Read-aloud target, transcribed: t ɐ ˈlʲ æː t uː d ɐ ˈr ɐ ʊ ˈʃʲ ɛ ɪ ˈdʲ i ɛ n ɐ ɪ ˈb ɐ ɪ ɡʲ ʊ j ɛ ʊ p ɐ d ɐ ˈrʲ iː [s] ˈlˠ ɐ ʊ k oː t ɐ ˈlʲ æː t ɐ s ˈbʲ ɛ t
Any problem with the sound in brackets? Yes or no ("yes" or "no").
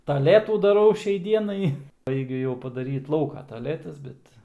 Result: yes